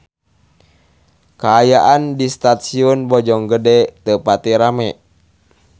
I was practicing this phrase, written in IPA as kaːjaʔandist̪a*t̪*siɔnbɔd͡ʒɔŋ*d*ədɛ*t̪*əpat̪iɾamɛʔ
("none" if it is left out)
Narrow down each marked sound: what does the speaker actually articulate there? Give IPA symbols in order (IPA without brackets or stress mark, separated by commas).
t̪, ɡ, t̪